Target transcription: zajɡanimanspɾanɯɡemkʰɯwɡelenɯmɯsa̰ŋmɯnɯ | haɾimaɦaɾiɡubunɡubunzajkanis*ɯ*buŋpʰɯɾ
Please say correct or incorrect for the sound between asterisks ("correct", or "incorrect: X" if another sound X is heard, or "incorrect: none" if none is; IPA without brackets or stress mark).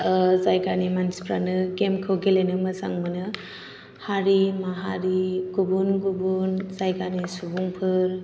incorrect: u